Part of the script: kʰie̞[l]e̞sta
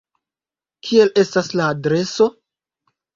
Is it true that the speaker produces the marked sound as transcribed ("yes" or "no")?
yes